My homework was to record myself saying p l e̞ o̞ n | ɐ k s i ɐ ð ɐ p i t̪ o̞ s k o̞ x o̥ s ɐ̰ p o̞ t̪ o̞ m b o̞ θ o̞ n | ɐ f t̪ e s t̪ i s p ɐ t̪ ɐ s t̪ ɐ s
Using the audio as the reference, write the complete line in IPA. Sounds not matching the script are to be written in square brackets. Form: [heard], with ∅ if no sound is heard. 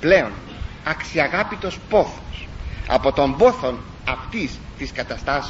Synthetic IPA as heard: p l e̞ o̞ n | ɐ k s i ɐ [ɣ] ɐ p i t̪ o̞ s [p] o̞ [θ] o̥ s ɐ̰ p o̞ t̪ o̞ m b o̞ θ o̞ n | ɐ f t̪ [i] s t̪ i s [k] ɐ t̪ ɐ s t̪ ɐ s